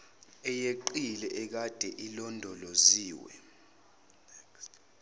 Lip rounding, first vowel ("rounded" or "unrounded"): unrounded